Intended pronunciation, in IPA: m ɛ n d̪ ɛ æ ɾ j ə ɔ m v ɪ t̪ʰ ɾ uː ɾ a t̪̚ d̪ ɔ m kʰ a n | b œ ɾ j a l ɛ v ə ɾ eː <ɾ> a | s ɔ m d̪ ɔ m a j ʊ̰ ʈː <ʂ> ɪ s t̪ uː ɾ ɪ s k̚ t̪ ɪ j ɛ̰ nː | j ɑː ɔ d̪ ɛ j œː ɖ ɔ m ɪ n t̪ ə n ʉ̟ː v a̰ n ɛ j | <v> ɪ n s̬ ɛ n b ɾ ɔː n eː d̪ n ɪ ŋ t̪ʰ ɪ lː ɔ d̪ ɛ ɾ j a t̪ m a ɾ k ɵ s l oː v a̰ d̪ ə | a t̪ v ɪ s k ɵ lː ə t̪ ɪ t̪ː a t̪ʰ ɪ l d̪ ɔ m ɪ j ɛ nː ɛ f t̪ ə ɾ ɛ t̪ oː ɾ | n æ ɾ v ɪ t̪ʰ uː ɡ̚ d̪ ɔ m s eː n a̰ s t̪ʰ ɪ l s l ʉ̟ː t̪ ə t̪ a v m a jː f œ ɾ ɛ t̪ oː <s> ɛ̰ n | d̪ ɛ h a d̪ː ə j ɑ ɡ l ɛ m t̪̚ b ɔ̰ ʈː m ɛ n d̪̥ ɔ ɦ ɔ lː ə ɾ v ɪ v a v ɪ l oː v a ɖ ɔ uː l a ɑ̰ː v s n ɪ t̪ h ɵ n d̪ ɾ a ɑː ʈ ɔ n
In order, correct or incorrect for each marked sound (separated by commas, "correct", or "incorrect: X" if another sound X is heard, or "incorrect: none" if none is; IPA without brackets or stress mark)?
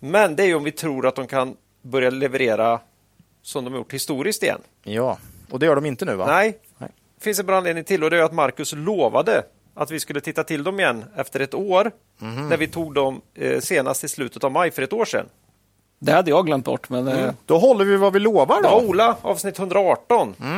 correct, incorrect: h, incorrect: f, incorrect: ʂ